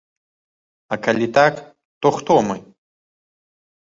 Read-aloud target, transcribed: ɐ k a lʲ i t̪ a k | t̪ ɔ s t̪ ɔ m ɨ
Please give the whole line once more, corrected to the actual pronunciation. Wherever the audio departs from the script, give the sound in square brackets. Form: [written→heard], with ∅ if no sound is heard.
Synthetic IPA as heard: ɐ k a lʲ i t̪ a k | t̪ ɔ [s→x] t̪ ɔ m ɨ